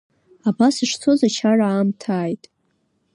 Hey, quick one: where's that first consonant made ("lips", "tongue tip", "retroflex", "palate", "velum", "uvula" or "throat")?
lips